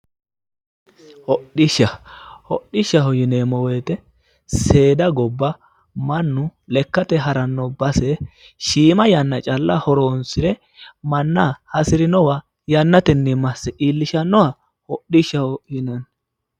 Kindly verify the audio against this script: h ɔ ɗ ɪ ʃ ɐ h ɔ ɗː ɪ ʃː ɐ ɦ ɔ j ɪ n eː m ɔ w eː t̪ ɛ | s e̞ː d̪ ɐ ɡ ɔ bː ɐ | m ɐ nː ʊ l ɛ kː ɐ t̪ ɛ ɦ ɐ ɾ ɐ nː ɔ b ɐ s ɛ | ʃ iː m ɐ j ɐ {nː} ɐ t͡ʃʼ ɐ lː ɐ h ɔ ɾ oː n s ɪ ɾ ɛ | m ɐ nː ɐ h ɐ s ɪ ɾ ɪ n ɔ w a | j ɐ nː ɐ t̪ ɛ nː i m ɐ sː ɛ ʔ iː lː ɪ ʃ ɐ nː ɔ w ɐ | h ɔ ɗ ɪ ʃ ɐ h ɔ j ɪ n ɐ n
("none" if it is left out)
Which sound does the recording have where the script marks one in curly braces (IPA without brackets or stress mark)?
nː